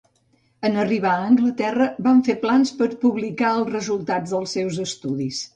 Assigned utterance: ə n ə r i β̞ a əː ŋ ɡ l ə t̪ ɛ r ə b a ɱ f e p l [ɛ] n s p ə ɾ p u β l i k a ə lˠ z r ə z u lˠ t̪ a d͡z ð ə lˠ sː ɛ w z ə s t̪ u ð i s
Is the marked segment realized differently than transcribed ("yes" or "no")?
yes